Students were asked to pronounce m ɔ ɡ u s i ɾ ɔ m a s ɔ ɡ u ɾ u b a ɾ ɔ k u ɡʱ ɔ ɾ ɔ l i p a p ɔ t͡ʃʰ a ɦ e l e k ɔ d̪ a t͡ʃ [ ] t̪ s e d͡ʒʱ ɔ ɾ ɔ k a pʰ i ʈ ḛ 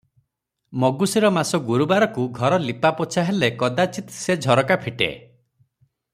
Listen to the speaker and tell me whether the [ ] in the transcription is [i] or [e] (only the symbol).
i